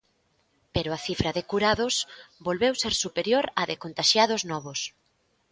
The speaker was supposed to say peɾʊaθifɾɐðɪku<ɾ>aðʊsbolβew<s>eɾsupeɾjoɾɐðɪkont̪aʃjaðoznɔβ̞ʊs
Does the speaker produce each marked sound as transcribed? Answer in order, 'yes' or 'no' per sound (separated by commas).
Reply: yes, yes